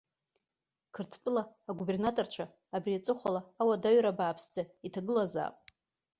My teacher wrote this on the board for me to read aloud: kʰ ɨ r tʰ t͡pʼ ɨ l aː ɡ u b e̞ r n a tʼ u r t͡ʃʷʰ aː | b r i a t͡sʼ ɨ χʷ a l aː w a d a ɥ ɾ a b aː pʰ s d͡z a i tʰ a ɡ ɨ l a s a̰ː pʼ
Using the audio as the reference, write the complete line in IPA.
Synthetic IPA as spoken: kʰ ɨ r tʰ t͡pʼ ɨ l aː ɡ u b e̞ r n a tʼ o r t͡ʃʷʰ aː | b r i a t͡sʼ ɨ χʷ a l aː w a d a ɥ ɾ a b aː pʰ s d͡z a i tʰ a ɡ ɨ l a z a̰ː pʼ